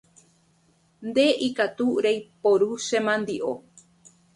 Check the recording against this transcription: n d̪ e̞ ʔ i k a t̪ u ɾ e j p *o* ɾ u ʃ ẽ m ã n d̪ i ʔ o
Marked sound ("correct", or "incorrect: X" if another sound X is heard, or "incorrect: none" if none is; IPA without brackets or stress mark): correct